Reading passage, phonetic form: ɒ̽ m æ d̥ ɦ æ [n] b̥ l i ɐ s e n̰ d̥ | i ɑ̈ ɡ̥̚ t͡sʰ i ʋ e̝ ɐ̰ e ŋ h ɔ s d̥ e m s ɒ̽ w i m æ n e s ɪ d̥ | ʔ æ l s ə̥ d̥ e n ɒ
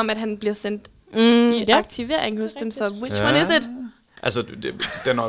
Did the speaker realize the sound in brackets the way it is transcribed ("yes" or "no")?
yes